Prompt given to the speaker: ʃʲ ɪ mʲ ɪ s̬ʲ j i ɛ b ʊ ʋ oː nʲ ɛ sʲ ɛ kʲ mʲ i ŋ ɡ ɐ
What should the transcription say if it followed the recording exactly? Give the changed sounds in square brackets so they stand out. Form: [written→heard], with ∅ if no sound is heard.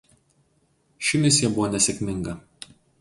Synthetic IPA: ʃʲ ɪ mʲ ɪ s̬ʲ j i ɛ b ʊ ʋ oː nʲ ɛ sʲ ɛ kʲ mʲ [i→ɪ] ŋ ɡ ɐ

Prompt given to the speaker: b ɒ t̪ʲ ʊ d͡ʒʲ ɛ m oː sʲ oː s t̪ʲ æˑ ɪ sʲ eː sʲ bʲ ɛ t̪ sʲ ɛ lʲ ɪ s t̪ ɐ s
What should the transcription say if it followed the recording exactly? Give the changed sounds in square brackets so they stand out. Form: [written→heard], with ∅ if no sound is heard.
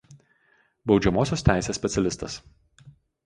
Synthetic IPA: b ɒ [t̪ʲ→∅] ʊ d͡ʒʲ ɛ m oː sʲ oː s t̪ʲ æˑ ɪ sʲ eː sʲ [bʲ→pʲ] ɛ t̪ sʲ ɛ lʲ ɪ s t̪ ɐ s

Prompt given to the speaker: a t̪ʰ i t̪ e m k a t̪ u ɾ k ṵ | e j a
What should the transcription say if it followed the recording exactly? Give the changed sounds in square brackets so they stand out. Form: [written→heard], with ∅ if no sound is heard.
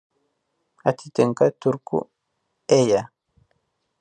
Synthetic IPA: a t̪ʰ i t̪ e [m→ŋ] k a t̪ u ɾ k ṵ | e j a

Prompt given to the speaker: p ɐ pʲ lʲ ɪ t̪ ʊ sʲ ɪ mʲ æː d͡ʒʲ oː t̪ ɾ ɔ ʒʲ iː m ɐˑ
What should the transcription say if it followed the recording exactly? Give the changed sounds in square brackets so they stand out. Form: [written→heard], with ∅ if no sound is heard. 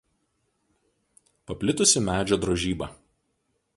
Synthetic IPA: p ɐ pʲ lʲ ɪ t̪ ʊ sʲ ɪ mʲ æː d͡ʒʲ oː [t̪→d̪] ɾ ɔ ʒʲ iː [m→b] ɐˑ

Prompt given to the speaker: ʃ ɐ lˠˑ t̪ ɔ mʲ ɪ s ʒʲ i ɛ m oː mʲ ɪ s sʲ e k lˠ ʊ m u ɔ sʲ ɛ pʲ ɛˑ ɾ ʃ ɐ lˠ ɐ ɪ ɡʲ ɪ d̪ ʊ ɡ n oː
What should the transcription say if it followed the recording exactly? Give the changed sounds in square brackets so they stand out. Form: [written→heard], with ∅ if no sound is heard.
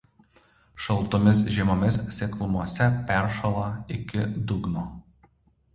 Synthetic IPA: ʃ ɐ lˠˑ t̪ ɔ mʲ ɪ s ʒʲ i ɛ m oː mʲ ɪ s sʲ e k lˠ ʊ m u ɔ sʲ ɛ pʲ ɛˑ ɾ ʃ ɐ lˠ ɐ ɪ [ɡʲ→kʲ] ɪ d̪ ʊ ɡ n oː

